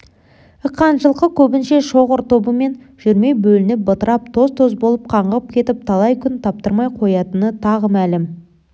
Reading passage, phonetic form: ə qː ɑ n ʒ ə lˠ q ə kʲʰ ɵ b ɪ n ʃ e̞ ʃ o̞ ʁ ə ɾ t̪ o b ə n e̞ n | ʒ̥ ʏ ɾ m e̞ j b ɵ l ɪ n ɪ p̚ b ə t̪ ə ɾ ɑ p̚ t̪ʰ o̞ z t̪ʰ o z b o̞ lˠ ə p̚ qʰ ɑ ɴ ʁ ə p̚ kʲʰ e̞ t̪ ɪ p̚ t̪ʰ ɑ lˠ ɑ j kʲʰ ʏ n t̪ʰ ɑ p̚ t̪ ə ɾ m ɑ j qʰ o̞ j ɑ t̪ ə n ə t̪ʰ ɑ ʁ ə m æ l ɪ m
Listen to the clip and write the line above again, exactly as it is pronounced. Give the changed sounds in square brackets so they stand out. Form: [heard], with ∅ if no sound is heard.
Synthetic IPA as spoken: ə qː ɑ n ʒ ə lˠ q ə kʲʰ ɵ b ɪ n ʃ e̞ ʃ o̞ ʁ ə ɾ t̪ o b ə [m] e̞ n | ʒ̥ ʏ ɾ m e̞ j b ɵ l ɪ n ɪ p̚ b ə t̪ ə ɾ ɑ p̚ t̪ʰ o̞ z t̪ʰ o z b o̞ lˠ ə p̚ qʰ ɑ ɴ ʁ ə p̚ kʲʰ e̞ t̪ ɪ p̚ t̪ʰ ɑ lˠ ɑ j kʲʰ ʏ n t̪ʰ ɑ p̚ t̪ ə ɾ m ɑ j qʰ o̞ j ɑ t̪ ə n ə t̪ʰ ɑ ʁ ə m æ l ɪ m